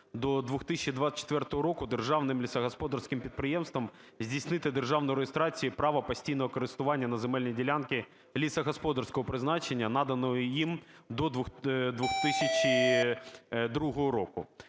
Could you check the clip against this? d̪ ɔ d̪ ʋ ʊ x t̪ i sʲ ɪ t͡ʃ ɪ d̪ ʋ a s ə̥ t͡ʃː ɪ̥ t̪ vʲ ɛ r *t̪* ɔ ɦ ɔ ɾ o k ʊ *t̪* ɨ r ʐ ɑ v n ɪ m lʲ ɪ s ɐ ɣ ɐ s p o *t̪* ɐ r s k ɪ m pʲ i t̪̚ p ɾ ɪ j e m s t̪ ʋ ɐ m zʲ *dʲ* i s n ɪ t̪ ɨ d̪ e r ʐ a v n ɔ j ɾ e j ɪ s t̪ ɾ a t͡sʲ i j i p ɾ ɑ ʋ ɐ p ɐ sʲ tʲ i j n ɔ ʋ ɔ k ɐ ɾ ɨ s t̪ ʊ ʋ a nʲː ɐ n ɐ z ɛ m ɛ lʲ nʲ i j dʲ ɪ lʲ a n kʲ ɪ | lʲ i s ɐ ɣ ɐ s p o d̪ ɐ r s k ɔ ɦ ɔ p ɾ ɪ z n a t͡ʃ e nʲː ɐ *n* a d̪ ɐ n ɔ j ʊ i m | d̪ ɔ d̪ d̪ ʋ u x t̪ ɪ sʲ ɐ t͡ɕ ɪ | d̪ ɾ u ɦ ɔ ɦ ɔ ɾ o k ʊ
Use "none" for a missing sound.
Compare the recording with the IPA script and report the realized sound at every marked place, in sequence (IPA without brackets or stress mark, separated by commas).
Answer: t̪, d̪, d̪, dʲ, n